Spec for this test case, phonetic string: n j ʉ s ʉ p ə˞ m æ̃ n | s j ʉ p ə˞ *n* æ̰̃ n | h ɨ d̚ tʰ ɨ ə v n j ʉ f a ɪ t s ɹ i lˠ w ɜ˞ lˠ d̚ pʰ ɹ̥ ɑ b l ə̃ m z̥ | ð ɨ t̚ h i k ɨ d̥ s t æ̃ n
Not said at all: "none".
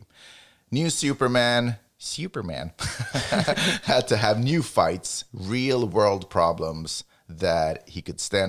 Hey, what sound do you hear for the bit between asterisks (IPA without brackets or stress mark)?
m